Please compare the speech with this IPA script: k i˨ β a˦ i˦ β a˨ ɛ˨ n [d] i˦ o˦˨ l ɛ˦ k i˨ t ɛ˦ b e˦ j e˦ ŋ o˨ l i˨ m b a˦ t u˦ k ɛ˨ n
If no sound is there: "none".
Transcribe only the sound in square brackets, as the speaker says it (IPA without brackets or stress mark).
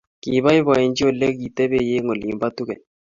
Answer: d͡ʒ